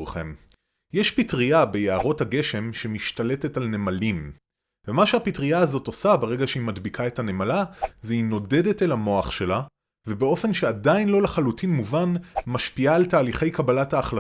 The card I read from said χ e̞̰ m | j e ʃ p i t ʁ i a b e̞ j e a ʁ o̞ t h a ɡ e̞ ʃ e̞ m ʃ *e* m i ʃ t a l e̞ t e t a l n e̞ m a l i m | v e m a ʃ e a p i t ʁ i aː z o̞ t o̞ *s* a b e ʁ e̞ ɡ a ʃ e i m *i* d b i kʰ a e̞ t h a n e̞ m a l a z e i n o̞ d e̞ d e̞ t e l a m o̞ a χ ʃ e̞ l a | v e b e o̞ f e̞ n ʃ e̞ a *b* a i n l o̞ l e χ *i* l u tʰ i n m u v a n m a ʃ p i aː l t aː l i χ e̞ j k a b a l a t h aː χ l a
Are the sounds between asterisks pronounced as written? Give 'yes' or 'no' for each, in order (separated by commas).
yes, yes, no, no, no